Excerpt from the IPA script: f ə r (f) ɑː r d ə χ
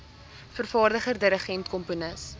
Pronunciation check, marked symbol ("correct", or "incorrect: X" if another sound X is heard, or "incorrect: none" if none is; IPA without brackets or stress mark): correct